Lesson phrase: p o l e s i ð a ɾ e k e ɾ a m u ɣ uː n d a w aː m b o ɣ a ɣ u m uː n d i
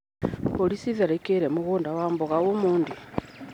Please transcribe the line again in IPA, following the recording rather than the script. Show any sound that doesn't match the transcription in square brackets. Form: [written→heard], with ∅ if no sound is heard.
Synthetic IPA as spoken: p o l [e→i] s i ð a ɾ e k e ɾ [a→e] m u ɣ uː n d a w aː m b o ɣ a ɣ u m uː n d i